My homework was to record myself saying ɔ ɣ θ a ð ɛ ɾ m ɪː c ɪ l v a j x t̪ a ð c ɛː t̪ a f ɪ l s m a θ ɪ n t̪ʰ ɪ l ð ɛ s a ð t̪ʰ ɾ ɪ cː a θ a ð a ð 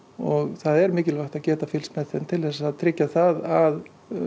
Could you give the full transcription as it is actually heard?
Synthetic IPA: ɔ ɣ θ a ð ɛ ɾ m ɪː c ɪ l v a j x t̪ a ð c ɛː t̪ a f ɪ l s m ɛ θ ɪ n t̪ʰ ɪ l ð ɛ s a ð t̪ʰ ɾ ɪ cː a θ a ð a ð